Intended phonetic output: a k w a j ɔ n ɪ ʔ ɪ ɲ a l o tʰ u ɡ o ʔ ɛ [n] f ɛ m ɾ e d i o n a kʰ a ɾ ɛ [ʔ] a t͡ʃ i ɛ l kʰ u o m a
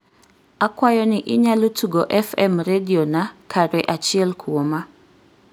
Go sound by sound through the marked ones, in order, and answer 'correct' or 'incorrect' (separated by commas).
incorrect, correct